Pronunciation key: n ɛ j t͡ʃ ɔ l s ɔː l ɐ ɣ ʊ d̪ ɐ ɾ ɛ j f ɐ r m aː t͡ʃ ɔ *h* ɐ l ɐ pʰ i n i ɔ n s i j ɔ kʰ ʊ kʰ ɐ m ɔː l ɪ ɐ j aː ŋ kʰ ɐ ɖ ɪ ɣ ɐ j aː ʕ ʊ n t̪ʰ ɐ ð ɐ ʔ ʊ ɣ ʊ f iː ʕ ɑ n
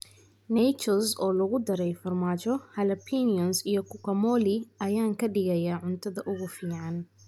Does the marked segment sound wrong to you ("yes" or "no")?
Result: no